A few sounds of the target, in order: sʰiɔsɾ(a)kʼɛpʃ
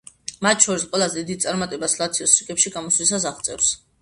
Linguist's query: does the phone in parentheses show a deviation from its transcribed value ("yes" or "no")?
yes